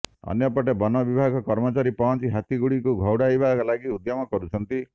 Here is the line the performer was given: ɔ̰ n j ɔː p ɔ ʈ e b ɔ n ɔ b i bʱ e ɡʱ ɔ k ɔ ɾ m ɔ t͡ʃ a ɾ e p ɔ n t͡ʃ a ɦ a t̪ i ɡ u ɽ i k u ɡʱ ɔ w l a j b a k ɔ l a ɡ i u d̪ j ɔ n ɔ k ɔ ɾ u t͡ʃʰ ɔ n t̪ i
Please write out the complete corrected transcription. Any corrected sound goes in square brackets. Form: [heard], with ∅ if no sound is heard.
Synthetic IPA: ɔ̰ n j [ɔ] p ɔ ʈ e b ɔ n ɔ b i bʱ [a] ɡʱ ɔ k ɔ ɾ m ɔ t͡ʃ a ɾ [i] p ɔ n t͡ʃ [i] ɦ a t̪ i ɡ u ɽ i k u ɡʱ ɔ w [ɽ] a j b a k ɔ l a ɡ i u d̪ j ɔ [m] ɔ k ɔ ɾ u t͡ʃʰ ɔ n t̪ i